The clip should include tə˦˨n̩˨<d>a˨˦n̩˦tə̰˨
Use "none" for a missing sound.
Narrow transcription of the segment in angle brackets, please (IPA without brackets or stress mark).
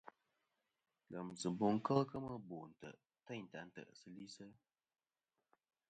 t